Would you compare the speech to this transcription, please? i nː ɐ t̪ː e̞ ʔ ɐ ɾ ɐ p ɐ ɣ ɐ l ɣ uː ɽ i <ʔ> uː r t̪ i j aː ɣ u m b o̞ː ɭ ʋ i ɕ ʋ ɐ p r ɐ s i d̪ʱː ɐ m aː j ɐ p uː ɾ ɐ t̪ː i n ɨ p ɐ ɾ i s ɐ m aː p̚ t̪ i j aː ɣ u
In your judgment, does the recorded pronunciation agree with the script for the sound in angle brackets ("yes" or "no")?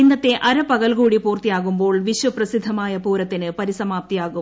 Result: no